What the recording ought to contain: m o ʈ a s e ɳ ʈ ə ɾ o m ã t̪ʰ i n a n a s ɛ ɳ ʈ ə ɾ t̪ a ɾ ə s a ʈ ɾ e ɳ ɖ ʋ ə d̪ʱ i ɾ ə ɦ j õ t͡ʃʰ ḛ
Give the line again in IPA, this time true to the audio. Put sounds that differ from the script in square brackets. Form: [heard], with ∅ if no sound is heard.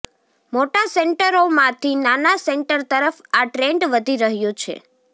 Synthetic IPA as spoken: m o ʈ a s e ɳ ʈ ə ɾ o m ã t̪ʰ i n a n a s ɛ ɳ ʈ ə ɾ t̪ [ə] ɾ ə [f] a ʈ ɾ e ɳ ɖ ʋ ə d̪ʱ i ɾ ə ɦ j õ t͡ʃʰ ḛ